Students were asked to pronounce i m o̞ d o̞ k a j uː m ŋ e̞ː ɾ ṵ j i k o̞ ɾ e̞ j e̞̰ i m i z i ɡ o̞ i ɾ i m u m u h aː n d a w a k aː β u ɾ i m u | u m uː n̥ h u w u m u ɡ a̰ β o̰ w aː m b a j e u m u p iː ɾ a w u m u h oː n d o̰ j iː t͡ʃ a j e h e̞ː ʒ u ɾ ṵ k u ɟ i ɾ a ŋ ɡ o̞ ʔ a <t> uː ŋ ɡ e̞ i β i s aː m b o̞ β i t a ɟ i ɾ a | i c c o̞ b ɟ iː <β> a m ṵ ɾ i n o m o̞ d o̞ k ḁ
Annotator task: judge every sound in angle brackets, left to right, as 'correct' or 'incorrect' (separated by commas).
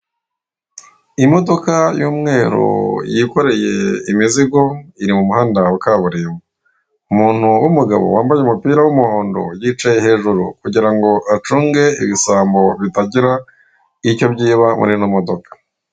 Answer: incorrect, correct